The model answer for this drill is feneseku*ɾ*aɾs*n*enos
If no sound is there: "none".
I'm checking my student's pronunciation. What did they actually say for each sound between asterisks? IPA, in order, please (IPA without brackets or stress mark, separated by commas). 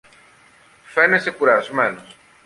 ɾ, m